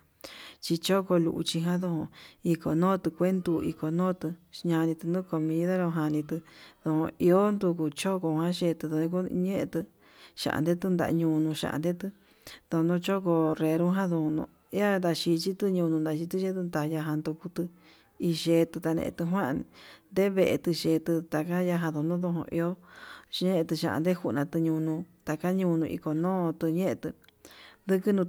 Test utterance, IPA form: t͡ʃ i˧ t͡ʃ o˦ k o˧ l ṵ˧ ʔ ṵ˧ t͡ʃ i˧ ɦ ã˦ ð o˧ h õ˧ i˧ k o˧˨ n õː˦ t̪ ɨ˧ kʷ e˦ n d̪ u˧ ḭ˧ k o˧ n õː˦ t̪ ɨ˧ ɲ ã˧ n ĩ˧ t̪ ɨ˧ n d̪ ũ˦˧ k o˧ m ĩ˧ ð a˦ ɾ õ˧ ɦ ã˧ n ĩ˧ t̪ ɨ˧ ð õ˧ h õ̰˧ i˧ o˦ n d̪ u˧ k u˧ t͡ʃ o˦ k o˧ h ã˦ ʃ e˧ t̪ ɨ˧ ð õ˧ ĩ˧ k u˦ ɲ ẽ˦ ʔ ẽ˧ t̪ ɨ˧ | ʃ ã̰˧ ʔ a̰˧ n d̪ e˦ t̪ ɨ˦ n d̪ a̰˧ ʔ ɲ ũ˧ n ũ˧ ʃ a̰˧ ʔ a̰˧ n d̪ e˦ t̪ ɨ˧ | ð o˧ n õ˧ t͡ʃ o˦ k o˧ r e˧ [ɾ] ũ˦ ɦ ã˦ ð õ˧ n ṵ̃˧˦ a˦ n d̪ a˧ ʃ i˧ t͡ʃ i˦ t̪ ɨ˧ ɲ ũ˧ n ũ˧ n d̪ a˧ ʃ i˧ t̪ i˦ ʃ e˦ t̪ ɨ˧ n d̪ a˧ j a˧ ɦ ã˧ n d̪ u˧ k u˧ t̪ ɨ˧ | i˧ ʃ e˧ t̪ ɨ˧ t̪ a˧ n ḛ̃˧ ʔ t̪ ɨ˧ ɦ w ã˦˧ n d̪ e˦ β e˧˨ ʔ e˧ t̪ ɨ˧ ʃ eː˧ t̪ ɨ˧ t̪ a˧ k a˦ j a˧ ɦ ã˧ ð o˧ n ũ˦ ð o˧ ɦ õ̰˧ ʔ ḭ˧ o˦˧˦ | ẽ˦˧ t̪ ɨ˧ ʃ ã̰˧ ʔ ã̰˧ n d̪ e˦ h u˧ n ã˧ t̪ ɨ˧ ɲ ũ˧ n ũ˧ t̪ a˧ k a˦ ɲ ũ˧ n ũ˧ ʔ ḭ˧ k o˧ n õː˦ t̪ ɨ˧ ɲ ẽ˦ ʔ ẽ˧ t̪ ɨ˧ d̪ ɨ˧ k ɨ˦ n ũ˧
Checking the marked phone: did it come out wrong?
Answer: no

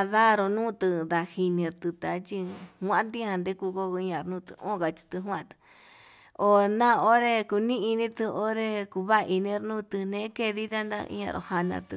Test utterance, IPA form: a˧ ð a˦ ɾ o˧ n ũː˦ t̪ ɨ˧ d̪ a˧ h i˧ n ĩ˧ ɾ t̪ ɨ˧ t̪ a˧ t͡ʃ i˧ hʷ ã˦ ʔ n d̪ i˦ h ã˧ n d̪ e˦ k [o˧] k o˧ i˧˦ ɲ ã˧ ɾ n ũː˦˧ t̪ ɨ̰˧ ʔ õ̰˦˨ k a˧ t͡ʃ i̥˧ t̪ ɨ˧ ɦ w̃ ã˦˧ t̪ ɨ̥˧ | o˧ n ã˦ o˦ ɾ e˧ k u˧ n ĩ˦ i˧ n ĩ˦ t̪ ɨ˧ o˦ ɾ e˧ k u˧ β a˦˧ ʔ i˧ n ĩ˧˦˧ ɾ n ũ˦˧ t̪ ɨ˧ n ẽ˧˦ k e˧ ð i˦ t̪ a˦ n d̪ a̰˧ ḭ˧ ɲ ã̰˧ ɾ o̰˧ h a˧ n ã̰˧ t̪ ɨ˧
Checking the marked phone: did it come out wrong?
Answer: yes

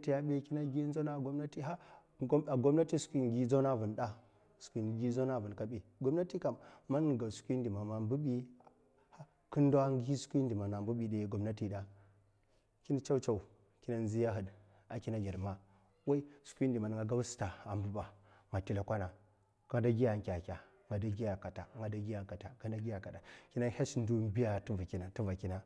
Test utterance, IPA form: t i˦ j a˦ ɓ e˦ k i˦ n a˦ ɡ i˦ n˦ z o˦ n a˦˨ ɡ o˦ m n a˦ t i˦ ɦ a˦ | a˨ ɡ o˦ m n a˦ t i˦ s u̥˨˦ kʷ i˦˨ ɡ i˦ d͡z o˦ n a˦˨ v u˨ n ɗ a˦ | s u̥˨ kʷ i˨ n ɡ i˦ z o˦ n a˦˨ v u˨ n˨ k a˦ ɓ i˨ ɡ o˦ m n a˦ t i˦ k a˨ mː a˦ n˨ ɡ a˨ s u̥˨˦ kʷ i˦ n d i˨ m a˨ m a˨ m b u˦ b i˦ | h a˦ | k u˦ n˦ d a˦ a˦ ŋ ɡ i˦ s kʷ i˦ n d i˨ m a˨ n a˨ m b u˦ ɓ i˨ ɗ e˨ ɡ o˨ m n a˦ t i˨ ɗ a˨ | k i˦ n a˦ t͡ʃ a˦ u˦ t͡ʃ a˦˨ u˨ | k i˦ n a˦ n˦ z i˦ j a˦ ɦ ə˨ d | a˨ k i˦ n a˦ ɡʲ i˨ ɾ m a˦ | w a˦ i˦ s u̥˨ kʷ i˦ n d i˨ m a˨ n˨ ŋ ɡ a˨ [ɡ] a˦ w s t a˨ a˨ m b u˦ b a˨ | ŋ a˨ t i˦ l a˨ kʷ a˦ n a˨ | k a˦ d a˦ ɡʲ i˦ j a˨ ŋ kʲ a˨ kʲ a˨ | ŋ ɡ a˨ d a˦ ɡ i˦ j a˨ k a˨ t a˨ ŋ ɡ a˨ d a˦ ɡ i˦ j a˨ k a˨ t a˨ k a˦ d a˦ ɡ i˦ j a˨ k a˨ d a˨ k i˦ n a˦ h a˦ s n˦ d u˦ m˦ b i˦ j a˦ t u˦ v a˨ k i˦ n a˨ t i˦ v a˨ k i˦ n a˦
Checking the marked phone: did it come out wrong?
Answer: no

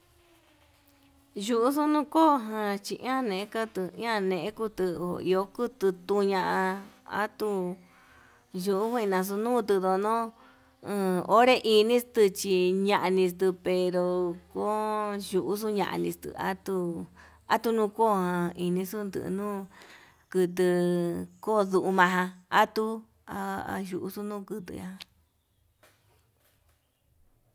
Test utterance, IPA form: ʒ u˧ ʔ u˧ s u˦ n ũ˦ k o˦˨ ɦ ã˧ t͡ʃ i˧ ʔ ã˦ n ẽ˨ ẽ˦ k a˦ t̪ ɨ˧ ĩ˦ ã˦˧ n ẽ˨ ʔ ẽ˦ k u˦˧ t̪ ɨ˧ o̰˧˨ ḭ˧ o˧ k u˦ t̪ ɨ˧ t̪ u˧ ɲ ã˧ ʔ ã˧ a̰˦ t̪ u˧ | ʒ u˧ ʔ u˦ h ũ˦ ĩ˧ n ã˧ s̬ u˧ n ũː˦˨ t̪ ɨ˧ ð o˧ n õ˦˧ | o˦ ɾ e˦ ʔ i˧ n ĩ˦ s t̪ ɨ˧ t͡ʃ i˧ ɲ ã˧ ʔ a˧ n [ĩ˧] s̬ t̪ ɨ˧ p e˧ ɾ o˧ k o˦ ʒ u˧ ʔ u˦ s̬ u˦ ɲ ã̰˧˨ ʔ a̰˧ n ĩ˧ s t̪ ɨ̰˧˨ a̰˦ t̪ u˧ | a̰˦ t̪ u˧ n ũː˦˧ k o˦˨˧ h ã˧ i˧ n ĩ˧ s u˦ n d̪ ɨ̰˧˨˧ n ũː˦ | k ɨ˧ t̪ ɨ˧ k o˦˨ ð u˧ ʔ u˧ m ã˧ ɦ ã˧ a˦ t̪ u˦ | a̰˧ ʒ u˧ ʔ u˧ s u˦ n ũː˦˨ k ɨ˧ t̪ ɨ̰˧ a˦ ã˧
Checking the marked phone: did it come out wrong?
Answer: no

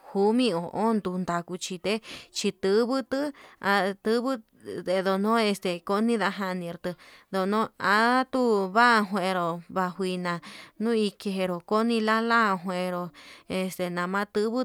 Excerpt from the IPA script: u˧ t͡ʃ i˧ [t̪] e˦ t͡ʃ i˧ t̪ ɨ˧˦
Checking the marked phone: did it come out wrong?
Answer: no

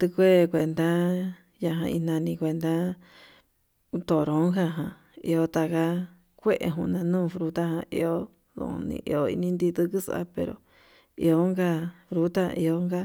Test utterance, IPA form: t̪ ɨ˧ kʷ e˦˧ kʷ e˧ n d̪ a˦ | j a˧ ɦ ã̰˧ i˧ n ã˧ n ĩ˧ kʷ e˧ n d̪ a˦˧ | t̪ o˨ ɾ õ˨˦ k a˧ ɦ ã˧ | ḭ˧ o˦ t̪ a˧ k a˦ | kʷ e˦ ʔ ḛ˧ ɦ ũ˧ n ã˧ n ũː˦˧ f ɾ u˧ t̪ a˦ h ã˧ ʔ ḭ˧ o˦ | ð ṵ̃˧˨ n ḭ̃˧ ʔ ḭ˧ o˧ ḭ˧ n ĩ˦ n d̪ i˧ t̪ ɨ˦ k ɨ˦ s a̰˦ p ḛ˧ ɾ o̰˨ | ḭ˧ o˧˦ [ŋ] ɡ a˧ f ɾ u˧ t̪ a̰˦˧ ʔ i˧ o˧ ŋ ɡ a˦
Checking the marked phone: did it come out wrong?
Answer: no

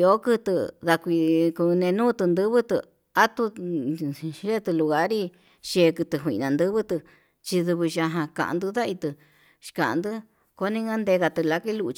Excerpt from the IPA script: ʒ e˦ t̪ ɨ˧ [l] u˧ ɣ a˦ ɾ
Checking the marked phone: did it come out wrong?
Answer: no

